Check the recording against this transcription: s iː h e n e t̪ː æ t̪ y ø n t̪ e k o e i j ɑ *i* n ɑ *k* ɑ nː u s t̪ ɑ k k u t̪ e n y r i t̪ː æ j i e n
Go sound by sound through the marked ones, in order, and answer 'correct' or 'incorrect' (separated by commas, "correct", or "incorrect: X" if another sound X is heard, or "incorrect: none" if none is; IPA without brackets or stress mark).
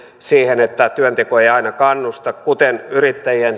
correct, correct